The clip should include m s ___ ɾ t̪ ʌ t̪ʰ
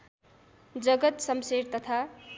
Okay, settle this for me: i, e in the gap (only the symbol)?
e